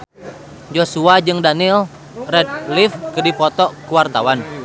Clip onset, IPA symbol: d͡ʒ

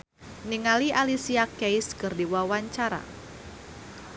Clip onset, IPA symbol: n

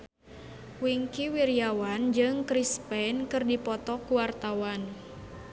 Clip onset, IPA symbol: w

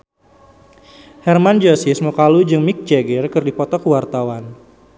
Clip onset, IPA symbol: h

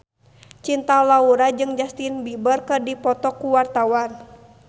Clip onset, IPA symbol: t͡ʃ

